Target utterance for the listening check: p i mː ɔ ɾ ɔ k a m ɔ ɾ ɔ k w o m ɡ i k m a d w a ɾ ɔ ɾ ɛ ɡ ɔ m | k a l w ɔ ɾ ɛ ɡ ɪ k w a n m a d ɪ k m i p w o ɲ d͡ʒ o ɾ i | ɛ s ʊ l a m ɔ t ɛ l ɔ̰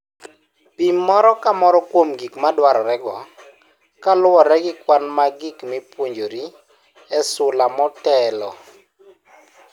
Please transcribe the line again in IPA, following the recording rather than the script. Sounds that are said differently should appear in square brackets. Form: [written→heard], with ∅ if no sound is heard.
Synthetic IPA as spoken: p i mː ɔ ɾ ɔ k a m ɔ ɾ ɔ k w o m ɡ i k m a d w a ɾ ɔ ɾ ɛ ɡ ɔ [m→∅] | k a l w ɔ ɾ ɛ ɡ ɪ k w a n m a [d→ɡ] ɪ k m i p w o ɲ d͡ʒ o ɾ i | ɛ s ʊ l a m ɔ t ɛ l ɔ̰